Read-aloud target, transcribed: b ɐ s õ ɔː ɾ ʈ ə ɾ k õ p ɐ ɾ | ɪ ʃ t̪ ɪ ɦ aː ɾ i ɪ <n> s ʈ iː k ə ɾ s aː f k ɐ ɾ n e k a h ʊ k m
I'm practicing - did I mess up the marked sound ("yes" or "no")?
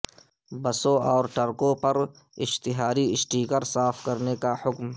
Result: yes